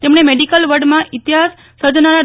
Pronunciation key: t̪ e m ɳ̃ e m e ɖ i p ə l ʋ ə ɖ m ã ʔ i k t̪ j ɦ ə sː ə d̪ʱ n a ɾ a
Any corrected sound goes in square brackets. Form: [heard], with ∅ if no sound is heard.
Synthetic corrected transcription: t̪ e m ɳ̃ e m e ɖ i [k] ə l ʋ ə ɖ m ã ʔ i [∅] t̪ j ɦ [a] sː ə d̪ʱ n a ɾ a